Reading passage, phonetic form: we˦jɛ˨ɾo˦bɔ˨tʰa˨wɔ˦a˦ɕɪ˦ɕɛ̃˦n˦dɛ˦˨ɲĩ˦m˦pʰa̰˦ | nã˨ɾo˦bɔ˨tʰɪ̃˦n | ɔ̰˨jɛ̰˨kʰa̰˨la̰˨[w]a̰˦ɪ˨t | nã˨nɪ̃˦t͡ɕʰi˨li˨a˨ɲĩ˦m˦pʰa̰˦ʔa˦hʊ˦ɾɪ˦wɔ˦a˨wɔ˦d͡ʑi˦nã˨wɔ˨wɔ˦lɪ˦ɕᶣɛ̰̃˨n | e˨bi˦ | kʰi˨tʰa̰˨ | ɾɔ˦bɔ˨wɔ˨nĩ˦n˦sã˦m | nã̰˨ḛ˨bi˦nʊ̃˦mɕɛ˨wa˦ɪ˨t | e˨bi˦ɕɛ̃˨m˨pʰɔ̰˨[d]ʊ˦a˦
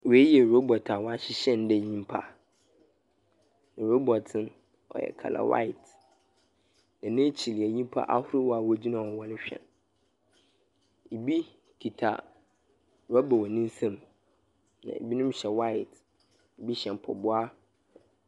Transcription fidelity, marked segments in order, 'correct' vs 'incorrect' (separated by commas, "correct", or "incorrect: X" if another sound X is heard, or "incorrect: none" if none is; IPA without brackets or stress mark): correct, incorrect: b